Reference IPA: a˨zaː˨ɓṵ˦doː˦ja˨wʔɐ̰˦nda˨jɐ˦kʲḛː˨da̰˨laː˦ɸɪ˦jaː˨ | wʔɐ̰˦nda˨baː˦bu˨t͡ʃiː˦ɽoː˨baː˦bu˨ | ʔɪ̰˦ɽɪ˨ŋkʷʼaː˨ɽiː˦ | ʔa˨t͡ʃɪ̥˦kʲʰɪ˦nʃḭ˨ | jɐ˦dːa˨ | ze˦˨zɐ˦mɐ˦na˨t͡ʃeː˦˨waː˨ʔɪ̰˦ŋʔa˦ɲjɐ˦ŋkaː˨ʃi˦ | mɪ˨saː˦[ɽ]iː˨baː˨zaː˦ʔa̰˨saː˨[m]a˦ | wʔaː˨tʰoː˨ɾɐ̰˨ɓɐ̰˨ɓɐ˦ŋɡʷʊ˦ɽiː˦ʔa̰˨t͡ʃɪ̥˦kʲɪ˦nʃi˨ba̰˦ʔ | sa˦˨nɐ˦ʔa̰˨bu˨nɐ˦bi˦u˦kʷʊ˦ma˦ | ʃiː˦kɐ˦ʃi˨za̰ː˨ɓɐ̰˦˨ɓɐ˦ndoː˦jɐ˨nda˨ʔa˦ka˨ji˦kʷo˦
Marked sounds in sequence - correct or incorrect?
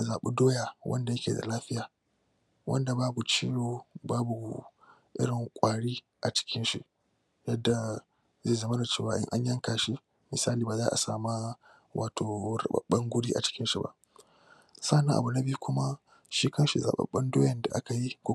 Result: incorrect, correct

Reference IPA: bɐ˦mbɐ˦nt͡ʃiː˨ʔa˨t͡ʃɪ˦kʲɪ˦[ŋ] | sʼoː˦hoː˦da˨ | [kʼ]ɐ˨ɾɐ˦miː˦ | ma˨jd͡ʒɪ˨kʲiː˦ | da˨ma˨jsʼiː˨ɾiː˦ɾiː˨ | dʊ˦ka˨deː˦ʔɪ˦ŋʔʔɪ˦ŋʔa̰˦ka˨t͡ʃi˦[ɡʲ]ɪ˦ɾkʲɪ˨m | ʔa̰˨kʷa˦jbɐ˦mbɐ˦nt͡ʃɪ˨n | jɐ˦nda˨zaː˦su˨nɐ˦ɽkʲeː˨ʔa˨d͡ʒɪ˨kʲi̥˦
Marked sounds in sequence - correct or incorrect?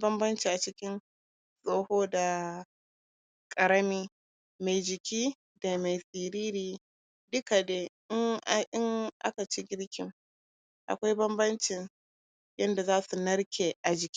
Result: incorrect, correct, correct

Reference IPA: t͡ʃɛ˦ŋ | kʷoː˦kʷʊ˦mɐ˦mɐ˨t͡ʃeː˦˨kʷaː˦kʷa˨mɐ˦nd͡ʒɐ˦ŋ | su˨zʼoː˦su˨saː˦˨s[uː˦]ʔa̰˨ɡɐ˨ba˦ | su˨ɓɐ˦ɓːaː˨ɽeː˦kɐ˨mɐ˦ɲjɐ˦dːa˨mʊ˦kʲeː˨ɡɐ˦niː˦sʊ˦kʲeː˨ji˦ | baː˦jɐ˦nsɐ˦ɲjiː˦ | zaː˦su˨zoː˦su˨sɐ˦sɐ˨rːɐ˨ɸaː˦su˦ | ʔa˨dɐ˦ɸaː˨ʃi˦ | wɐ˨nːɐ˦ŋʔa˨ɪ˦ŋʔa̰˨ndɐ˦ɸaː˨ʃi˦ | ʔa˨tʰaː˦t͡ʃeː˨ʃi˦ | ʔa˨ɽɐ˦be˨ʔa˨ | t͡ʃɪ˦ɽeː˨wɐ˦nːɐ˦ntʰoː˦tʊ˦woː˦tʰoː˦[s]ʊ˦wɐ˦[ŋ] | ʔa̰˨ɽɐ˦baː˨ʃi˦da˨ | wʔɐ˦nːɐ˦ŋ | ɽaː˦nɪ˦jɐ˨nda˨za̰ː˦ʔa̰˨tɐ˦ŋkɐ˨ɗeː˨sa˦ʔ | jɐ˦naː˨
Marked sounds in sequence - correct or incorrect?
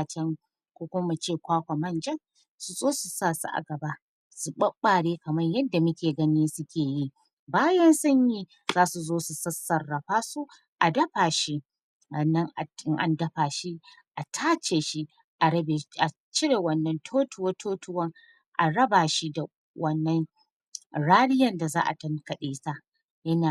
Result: incorrect, incorrect, correct

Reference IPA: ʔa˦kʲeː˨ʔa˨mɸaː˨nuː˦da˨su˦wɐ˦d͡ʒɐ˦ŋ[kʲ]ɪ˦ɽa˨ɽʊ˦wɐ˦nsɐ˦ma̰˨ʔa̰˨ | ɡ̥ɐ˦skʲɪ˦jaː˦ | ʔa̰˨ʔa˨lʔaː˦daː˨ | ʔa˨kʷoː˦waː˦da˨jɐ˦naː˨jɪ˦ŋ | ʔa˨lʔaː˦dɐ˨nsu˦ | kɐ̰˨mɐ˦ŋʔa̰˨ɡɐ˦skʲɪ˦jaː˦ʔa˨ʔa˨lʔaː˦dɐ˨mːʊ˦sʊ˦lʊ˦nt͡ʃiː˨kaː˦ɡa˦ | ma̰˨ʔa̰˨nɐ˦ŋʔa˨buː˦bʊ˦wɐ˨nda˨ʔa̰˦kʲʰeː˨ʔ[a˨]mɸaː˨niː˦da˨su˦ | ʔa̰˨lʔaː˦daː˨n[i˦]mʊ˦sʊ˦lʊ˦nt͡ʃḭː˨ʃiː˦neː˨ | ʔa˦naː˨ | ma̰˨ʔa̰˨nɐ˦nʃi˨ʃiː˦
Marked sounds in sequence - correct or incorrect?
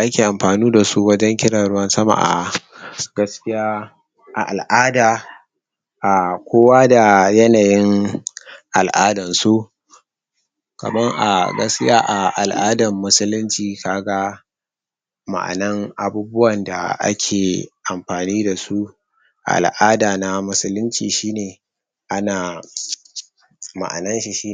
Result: correct, correct, incorrect

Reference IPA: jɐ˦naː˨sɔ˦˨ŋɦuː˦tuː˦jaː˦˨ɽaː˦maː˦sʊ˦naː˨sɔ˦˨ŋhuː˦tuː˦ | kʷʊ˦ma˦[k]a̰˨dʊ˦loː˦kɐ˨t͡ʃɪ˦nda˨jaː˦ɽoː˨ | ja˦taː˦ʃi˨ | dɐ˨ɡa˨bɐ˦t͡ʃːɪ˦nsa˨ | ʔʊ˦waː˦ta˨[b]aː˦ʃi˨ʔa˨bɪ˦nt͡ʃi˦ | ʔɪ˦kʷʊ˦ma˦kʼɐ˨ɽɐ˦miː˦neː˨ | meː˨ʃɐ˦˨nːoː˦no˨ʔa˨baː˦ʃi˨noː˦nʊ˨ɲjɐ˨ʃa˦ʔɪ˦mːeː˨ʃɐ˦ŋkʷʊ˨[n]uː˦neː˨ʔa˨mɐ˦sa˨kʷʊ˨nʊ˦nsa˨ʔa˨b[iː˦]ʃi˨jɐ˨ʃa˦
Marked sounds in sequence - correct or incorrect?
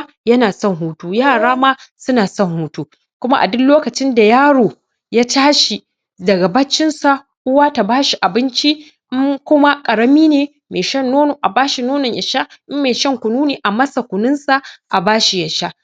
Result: incorrect, correct, correct, incorrect

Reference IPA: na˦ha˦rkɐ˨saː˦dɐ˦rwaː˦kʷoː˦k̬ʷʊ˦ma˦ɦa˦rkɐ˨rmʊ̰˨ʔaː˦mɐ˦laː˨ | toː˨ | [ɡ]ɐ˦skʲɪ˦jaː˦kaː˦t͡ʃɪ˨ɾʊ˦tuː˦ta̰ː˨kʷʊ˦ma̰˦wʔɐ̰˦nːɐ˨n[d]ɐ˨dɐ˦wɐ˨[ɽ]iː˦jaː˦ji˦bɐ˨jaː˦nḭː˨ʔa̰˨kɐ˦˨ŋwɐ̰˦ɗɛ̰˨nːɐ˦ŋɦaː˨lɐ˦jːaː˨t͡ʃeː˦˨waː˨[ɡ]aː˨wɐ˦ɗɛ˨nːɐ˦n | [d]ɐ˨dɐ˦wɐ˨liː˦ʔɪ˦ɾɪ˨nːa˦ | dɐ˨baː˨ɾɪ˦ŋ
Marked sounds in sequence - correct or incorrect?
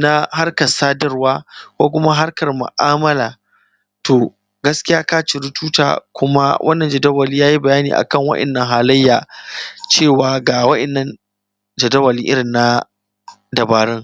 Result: correct, incorrect, incorrect, correct, incorrect

